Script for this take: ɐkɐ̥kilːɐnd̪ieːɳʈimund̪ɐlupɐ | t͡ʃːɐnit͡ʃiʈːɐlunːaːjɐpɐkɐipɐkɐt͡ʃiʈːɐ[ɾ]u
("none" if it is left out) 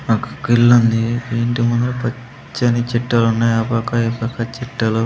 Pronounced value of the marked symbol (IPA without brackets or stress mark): l